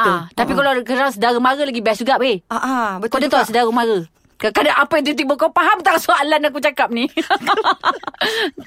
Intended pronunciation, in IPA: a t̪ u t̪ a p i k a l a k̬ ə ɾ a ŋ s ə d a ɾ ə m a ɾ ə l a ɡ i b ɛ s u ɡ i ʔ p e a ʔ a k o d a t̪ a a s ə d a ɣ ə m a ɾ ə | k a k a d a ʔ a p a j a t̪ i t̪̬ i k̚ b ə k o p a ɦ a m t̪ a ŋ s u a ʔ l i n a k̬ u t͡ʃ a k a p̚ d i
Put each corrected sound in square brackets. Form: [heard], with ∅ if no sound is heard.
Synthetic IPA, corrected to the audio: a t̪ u t̪ a p i k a l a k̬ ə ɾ a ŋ s ə d a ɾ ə m a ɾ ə l a ɡ i b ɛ s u ɡ [a] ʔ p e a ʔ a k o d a t̪ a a s ə d a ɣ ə m a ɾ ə | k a k a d a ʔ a p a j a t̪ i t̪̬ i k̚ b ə k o p a ɦ a m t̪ a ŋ s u a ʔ l [a] n a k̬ u t͡ʃ a k a p̚ [n] i